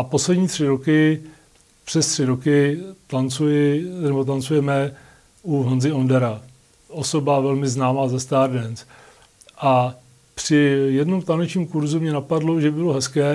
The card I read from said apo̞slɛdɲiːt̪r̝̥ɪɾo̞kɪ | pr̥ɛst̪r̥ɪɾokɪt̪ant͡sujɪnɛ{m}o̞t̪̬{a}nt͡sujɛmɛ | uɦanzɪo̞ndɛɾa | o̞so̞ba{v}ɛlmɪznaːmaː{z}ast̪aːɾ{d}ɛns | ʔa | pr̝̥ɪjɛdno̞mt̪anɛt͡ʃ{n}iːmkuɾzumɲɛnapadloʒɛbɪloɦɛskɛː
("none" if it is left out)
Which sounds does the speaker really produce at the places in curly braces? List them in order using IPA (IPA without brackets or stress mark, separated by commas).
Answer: b, a, v, z, d, ɲ